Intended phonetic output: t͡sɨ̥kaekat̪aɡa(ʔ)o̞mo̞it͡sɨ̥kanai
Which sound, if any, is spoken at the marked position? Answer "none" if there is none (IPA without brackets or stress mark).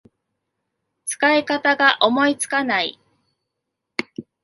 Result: ʔ